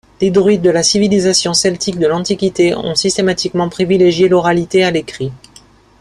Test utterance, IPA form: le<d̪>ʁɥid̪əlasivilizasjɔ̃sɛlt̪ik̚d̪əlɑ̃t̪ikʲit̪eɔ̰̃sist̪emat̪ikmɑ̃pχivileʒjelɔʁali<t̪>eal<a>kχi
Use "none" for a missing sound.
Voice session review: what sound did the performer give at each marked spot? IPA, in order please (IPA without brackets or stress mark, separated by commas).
d̪, t̪, e